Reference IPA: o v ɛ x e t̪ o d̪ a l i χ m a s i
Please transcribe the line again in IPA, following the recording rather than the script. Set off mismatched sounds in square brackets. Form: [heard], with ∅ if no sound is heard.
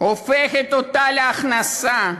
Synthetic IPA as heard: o [f] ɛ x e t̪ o [t̪] a l [a] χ [n] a s [a]